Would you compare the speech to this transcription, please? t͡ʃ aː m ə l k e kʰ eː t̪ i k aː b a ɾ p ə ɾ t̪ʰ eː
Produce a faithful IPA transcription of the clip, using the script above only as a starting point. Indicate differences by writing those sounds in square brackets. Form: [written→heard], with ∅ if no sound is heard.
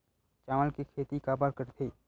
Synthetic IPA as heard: t͡ʃ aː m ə l k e kʰ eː t̪ i k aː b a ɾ [p→k] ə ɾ t̪ʰ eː